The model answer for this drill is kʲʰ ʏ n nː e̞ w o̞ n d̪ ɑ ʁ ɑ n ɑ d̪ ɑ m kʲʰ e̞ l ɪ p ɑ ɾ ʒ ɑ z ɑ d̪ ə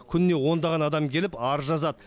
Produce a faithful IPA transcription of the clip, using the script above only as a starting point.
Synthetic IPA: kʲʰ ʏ n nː e̞ w o̞ n d̪ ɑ ʁ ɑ n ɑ d̪ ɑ m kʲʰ e̞ l ɪ p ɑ ɾ ʒ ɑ z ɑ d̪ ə